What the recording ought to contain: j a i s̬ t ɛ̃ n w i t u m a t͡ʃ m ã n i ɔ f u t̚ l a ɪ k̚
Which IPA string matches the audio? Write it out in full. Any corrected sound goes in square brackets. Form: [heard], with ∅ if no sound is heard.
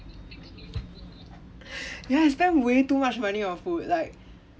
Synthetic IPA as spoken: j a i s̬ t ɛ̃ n w [e] t u m a t͡ʃ m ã n i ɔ f u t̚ l a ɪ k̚